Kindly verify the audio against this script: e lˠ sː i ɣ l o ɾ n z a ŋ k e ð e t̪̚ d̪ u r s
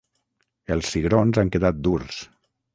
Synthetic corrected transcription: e lˠ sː i ɣ ɾ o n z a ŋ k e ð a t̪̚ d̪ u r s

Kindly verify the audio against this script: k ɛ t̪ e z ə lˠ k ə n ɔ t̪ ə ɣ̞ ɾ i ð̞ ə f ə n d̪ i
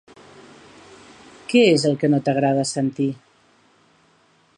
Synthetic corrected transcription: k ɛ e z ə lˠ k ə n o t̪ ə ɣ̞ ɾ a ð̞ ə s ə n t̪ i

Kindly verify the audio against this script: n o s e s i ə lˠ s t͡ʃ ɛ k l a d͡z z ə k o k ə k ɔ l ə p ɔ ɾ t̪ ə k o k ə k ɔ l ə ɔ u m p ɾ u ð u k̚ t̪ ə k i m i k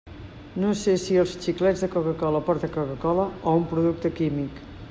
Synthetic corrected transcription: n o s e s i ə lˠ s t͡ʃ i k l ɛ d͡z ð ə k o k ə k ɔ l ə p ɔ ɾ t̪ ə k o k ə k ɔ l ə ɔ u m p ɾ u ð u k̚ t̪ ə k i m i k

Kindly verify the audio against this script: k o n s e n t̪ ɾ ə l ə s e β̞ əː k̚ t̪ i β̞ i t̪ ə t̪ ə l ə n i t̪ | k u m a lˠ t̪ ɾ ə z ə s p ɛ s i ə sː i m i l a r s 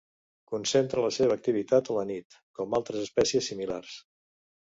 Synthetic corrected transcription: k u n s e n t̪ ɾ ə l ə s e β̞ əː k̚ t̪ i β̞ i t̪ a t̪ ə l ə n i t̪ | k ɔ m a lˠ t̪ ɾ ə z ə s p ɛ s i ə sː i m i l a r s

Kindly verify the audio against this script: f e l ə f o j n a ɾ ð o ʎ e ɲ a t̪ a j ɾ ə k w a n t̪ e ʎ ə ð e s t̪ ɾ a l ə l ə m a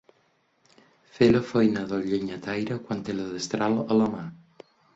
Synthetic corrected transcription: f e l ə f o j n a ð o ʎ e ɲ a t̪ a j ɾ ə k w a n t̪ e l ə ð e s t̪ ɾ a l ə l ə m a

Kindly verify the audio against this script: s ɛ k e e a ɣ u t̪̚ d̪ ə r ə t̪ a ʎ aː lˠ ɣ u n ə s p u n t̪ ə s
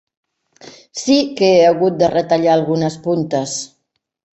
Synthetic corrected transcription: s i k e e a ɣ u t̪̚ d̪ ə r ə t̪ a ʎ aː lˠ ɣ u n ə s p u n t̪ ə s

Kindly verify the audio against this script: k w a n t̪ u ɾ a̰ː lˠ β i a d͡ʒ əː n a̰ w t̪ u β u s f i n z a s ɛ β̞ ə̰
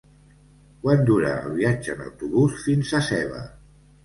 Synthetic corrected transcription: k w a n d̪ u ɾ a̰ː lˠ β i a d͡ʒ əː n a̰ w t̪ u β u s f i n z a s ɛ β̞ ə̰

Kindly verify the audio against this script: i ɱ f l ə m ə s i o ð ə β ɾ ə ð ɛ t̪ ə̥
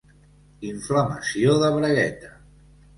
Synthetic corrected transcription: i ɱ f l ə m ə s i o ð ə β ɾ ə ɣ ɛ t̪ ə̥

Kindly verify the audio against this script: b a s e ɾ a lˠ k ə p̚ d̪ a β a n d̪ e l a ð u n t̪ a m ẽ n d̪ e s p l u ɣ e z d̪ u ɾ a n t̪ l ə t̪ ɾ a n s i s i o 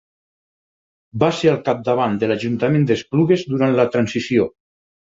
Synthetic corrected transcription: b a s e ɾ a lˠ k a p̚ d̪ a β a n d̪ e l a ʒ u n t̪ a m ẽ n d̪ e s p l u ɣ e z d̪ u ɾ a n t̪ l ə t̪ ɾ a n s i s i o

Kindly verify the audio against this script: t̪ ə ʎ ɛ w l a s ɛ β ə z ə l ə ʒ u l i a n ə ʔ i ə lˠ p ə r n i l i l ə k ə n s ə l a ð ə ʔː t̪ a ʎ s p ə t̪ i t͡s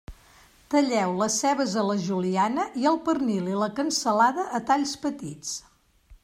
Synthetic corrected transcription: t̪ ə ʎ ɛ w l ə s ɛ β ə z ə l ə ʒ u l i a n ə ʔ i ə lˠ p ə r n i l i l ə k ə n s ə l a ð ə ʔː t̪ a ʎ s p ə t̪ i t͡s

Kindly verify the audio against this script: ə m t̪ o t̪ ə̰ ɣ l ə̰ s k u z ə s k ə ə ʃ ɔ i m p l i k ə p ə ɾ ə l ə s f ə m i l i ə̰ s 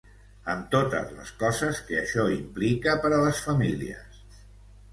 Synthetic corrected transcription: ə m t̪ o t̪ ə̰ z l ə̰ s k ɔ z ə s k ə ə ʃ ɔ i m p l i k ə p ə ɾ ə l ə s f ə m i l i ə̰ s

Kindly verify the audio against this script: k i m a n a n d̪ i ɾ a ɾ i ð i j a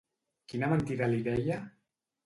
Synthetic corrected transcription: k i n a m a n t̪ i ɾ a l i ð ɛ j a

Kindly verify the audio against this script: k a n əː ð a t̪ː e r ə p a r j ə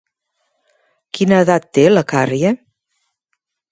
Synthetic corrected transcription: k i n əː ð a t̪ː e l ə k a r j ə

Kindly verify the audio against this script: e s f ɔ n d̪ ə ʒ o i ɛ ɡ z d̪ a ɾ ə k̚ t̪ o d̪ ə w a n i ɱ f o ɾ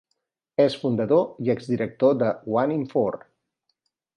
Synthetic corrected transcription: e s f u n d̪ ə ð o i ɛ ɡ z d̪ i ɾ ə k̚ t̪ o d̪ ə w a n i ɱ f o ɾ

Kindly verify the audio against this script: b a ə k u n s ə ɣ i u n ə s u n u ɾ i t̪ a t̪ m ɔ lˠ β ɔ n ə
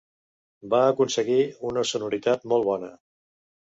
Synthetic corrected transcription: b a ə k u n s ə ɣ i u n ə s u n u ɾ i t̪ a t̪ m ɔ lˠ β ɔ n ə

